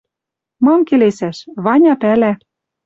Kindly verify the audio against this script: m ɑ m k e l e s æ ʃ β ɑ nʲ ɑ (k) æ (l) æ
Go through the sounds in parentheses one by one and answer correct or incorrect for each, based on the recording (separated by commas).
incorrect, correct